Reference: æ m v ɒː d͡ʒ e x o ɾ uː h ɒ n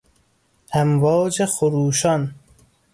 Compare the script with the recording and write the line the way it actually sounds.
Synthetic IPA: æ m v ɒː d͡ʒ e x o ɾ uː ʃ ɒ n